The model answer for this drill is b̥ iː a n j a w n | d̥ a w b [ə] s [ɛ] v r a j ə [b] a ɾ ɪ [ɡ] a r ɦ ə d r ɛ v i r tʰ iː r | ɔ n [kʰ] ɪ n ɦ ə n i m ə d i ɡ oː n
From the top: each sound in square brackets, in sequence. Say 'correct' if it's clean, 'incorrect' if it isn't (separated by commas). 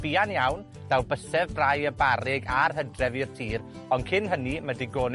correct, correct, correct, correct, correct